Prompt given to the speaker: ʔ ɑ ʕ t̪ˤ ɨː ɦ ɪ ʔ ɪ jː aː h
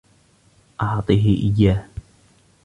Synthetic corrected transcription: ʔ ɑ ʕ t̪ˤ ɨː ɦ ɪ ʔ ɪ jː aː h